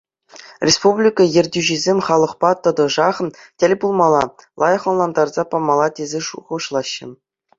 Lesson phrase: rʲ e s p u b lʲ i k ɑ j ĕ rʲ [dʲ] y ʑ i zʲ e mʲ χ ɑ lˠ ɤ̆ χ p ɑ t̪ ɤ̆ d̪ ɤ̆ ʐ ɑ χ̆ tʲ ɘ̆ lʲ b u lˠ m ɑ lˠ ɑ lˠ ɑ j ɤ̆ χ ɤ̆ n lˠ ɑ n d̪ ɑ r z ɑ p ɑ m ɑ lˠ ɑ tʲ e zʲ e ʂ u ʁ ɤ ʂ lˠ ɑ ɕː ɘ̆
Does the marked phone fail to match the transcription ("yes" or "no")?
no